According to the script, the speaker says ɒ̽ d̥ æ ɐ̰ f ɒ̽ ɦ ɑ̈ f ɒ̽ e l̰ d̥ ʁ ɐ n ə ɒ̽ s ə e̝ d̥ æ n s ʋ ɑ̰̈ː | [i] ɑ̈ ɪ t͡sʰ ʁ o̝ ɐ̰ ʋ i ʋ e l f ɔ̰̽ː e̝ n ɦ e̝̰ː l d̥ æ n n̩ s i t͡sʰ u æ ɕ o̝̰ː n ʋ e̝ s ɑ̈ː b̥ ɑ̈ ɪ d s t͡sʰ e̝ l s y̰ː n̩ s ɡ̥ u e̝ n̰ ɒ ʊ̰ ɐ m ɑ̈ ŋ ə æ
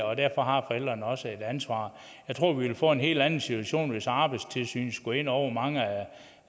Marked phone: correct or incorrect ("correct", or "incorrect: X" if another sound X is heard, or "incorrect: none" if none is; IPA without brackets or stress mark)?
incorrect: j